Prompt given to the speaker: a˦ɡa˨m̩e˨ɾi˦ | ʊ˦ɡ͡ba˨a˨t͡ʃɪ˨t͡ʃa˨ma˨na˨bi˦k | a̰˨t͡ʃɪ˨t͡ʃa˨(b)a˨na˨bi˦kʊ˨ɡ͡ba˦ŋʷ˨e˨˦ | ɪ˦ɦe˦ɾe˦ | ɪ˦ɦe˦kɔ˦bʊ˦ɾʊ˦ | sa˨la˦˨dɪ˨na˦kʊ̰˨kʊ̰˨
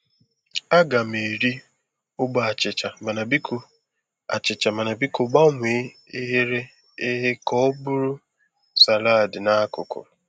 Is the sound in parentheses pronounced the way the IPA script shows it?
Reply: no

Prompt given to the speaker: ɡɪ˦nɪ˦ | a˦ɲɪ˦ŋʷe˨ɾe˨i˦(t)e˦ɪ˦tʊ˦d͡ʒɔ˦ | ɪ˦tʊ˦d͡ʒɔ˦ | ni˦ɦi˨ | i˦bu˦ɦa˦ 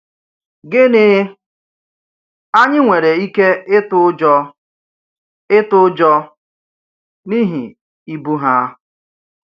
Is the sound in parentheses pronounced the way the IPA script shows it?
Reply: no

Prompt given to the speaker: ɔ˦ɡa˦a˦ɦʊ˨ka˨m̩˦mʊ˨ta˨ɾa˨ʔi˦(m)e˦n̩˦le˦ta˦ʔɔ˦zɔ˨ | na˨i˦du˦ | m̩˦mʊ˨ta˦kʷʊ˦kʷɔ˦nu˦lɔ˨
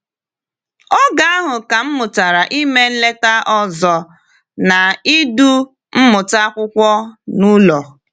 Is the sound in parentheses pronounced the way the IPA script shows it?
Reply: yes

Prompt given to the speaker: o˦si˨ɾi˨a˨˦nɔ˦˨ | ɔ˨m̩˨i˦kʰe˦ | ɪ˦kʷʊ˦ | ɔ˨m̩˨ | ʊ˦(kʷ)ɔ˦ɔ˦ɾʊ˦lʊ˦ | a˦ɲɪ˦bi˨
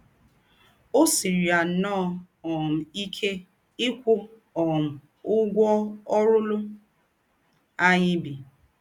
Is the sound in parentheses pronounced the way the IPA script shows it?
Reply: no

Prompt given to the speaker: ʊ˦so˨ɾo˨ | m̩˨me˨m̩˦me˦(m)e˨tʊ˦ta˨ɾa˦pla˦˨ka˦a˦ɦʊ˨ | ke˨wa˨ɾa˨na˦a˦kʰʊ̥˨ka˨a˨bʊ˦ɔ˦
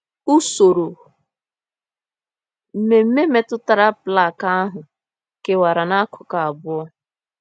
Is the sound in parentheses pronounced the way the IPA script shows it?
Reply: yes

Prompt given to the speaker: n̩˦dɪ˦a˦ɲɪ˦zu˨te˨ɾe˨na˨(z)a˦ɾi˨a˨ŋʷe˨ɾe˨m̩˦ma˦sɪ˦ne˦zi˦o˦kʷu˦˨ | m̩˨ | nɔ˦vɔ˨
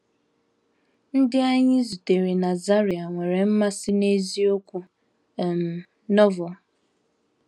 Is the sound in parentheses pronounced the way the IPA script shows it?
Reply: yes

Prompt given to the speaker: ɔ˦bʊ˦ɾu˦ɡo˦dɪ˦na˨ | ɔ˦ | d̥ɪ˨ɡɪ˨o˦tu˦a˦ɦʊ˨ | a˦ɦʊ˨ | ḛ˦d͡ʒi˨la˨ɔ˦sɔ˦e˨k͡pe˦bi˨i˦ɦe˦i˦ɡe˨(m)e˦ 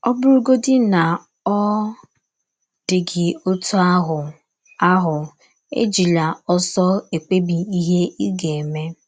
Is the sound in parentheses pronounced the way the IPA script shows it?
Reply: yes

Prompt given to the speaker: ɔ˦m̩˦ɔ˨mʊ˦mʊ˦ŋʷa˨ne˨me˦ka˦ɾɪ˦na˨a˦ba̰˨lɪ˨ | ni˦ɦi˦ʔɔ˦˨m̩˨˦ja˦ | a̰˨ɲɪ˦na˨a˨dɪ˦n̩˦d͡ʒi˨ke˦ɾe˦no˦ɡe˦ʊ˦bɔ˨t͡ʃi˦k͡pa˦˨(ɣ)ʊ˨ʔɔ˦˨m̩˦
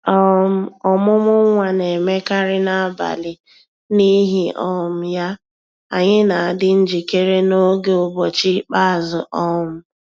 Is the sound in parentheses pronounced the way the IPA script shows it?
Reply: no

